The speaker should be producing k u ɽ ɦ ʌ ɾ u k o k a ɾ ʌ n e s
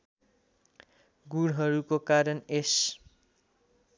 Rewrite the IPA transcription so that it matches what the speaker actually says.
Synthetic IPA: ɡ u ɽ ɦ ʌ ɾ u k o k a ɾ ʌ n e s